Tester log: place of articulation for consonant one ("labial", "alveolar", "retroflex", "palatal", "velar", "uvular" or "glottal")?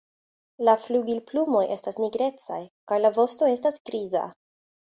alveolar